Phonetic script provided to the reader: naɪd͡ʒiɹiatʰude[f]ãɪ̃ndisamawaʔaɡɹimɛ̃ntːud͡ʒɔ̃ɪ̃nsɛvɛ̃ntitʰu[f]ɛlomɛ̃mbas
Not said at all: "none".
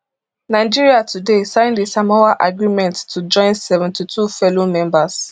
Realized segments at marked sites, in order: s, f

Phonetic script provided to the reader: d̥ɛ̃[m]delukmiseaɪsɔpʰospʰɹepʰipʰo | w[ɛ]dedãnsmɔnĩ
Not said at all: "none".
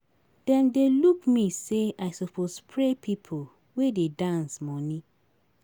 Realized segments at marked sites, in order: n, e

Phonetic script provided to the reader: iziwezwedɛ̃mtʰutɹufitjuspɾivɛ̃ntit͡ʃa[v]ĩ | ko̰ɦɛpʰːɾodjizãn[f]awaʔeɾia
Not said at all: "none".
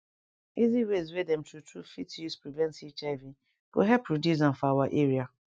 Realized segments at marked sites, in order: v, f

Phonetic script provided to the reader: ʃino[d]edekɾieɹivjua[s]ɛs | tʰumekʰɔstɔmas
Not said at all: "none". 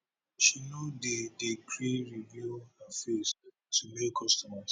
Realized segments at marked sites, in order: d, f

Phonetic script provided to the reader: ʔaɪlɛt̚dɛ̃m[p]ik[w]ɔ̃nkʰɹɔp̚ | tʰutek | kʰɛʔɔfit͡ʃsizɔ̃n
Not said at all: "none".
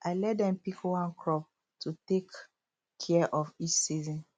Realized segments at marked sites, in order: p, w

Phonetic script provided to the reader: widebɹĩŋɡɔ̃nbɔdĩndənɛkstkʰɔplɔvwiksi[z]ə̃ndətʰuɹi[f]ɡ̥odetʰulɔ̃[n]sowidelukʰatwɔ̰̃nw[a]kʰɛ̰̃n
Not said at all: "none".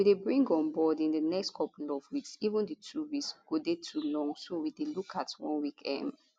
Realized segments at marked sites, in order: v, s, ŋ, i

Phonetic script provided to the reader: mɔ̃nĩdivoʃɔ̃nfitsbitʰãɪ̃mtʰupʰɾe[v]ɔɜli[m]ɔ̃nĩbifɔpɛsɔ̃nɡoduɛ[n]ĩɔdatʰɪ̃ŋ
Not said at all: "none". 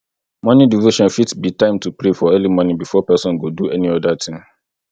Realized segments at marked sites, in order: f, m, n

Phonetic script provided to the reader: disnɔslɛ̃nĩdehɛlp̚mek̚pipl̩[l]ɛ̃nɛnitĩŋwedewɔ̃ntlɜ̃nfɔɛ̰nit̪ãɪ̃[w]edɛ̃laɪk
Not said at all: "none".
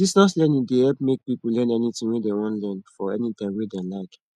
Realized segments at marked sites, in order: l, w

